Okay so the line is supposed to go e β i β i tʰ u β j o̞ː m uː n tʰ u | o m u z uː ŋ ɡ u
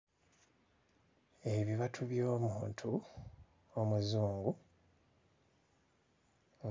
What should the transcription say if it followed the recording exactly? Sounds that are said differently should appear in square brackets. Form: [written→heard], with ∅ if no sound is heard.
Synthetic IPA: e β i β [i→a] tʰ u β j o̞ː m uː n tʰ u | o m u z uː ŋ ɡ u